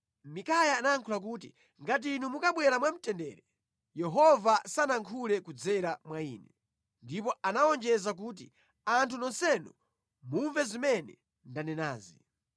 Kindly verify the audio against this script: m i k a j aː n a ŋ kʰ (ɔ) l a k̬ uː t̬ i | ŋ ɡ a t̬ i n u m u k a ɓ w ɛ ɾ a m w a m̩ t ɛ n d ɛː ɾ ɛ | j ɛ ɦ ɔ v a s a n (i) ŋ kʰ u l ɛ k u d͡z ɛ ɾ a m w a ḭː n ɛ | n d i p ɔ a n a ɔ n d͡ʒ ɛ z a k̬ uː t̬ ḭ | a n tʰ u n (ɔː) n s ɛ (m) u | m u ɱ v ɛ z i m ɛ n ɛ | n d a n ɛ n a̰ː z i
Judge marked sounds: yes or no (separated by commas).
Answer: no, no, no, no